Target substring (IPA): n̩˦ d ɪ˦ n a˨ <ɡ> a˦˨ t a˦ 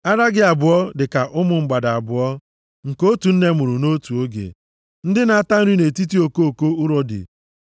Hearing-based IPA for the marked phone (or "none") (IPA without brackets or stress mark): none